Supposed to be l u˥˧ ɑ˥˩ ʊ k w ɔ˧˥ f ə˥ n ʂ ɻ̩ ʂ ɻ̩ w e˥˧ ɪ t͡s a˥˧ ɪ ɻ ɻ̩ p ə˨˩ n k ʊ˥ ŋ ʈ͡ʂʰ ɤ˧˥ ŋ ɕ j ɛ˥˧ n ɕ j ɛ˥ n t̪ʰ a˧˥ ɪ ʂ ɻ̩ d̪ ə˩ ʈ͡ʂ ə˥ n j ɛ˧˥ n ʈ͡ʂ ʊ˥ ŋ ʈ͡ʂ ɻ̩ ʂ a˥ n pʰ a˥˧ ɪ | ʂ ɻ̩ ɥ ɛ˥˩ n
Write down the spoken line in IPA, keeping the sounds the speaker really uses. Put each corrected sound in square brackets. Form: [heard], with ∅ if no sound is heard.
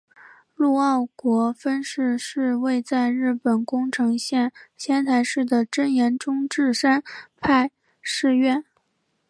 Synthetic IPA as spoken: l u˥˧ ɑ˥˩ ʊ k w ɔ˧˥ f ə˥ n ʂ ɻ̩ ʂ ɻ̩ w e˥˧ ɪ t͡s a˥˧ ɪ ɻ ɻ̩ p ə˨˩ n k ʊ˥ ŋ ʈ͡ʂʰ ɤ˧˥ ŋ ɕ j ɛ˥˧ n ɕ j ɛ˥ n t̪ʰ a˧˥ ɪ ʂ ɻ̩ d̪ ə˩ ʈ͡ʂ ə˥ n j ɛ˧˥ n ʈ͡ʂ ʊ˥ ŋ ʈ͡ʂ ɻ̩ ʂ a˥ n pʰ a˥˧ ɪ | ʂ ɻ̩ ɥ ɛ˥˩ n